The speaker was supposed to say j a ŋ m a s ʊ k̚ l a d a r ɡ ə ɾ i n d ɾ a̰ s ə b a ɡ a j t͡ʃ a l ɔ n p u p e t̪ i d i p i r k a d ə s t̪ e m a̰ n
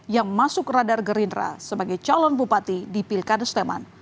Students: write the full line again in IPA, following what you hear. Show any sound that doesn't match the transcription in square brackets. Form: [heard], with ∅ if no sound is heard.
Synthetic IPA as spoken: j a ŋ m a s ʊ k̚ [r] a d a r ɡ ə ɾ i n d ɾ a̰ s ə b a ɡ a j t͡ʃ a l ɔ n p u p [a] t̪ i d i p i [l] k a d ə s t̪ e m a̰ n